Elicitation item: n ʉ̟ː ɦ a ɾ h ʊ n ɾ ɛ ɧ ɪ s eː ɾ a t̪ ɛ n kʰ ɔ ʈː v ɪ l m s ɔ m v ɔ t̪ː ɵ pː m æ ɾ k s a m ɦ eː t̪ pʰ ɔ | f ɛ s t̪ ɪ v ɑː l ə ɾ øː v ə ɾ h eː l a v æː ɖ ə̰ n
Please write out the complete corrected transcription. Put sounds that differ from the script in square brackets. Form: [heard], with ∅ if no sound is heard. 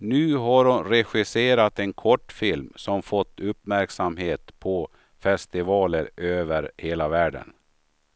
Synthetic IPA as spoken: n ʉ̟ː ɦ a ɾ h ʊ n ɾ ɛ ɧ ɪ s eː ɾ a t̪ ɛ n kʰ ɔ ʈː [f] ɪ l m s ɔ m [f] ɔ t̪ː ɵ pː m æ ɾ k s a m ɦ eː t̪ pʰ ɔ | f ɛ s t̪ ɪ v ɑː l ə ɾ øː v ə ɾ h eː l a v æː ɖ ə̰ n